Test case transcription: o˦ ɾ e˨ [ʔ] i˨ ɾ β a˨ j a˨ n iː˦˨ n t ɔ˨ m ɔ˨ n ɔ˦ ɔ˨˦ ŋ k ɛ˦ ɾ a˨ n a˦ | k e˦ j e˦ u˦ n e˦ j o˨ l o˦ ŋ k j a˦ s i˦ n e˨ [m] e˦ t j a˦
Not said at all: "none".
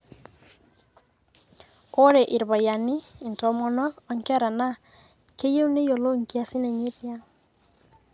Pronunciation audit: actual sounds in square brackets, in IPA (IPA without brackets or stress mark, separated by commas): ʔ, ɲ